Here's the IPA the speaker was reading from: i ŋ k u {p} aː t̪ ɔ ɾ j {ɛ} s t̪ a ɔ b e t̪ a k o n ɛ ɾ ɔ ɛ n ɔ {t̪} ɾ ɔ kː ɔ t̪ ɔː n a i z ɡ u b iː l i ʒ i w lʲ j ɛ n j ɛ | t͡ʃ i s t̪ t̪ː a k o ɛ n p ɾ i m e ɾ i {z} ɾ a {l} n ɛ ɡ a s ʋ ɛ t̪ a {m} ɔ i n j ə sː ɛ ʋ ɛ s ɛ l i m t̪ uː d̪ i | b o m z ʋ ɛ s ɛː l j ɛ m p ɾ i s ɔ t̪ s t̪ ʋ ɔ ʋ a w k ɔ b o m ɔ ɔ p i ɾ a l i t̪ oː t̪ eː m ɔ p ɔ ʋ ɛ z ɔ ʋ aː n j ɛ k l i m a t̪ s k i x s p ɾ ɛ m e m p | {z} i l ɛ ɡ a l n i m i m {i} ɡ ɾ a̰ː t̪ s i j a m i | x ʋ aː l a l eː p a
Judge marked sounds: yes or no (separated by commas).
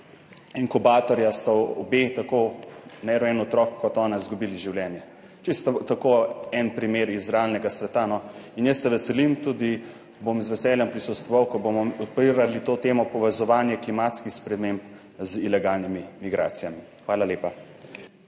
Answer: no, no, yes, yes, yes, no, yes, yes